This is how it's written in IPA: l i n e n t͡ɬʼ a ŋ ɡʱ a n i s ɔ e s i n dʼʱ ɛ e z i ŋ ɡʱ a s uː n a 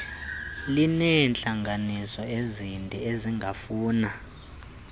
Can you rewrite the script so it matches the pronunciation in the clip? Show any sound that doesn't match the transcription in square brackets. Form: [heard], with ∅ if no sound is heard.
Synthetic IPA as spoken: l i n [ɛ] n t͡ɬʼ a ŋ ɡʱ a n i s ɔ e [z] i n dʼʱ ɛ e z i ŋ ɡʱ a [f] uː n a